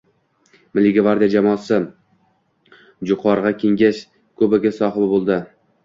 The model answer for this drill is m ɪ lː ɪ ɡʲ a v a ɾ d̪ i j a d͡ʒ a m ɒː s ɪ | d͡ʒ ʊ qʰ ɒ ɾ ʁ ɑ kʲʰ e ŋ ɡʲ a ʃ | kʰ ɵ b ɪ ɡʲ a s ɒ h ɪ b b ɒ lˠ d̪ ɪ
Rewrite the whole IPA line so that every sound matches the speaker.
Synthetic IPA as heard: m ɪ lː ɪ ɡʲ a v a ɾ d̪ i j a d͡ʒ a m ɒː s ɪ | d͡ʒ ʊ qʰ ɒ ɾ ʁ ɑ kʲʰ e ŋ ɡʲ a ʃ | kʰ ɵ b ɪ ɡʲ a s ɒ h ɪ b b o lˠ d̪ ɪ